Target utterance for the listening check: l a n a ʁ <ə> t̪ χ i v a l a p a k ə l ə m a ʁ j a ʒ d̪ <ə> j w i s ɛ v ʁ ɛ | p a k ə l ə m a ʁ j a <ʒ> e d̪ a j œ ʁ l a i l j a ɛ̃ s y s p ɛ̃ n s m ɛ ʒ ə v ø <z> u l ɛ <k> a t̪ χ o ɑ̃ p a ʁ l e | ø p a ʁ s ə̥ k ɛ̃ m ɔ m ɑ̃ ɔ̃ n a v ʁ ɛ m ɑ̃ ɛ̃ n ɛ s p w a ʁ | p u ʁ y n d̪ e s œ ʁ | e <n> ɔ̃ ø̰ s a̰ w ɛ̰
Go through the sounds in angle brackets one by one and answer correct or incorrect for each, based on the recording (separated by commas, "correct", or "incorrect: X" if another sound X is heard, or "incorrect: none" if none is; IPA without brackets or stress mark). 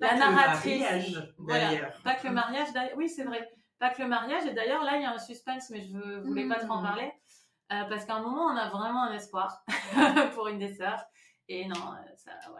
incorrect: a, incorrect: a, correct, incorrect: v, incorrect: p, correct